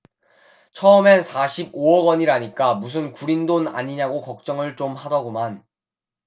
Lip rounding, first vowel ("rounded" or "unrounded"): unrounded